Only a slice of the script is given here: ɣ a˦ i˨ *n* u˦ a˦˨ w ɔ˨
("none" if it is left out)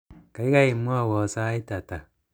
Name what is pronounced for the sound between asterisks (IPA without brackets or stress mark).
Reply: m